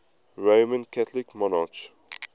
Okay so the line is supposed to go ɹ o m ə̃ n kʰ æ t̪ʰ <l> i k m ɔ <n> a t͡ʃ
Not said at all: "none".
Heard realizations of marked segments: l, n

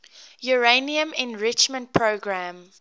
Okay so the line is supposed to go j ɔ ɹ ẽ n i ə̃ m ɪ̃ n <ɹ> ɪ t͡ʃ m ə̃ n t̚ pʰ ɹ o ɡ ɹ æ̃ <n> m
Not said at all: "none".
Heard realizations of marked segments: ɹ, none

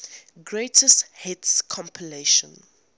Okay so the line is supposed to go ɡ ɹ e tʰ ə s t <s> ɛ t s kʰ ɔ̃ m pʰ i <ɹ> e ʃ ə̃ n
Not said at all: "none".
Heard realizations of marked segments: h, l

